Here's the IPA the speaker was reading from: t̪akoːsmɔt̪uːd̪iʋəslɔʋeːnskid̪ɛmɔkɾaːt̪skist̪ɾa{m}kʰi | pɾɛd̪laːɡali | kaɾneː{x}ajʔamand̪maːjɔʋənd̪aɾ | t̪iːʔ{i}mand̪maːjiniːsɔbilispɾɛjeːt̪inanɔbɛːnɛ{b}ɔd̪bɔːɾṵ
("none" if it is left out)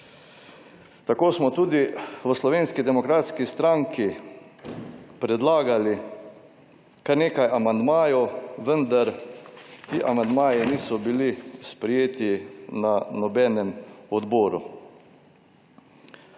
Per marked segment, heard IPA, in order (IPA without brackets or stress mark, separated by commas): ŋ, k, a, m